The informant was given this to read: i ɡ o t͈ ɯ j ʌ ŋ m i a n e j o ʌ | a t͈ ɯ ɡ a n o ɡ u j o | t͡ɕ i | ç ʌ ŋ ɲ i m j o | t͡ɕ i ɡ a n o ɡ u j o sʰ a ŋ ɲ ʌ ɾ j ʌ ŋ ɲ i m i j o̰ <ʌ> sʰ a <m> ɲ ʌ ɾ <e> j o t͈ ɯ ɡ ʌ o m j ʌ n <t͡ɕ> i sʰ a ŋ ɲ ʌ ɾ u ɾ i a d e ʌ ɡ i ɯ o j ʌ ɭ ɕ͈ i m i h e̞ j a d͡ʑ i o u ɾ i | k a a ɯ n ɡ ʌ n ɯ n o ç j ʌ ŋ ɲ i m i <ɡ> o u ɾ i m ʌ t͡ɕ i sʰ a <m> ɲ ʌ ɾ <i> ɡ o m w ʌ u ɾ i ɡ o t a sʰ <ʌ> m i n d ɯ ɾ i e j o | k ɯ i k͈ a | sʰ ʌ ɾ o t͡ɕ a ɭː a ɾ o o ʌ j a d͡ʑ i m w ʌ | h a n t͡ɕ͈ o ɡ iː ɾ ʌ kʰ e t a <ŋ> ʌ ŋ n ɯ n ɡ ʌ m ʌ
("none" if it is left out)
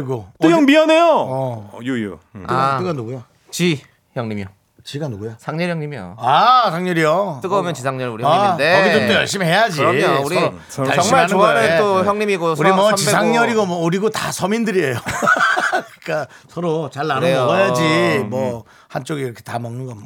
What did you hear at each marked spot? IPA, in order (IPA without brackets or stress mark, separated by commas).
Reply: a, ŋ, i, t͡ɕ, ɡ, ŋ, i, ʌ, m